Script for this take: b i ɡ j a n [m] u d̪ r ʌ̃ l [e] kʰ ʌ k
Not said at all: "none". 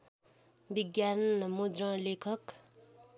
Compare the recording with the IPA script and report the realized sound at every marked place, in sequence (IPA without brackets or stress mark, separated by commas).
m, e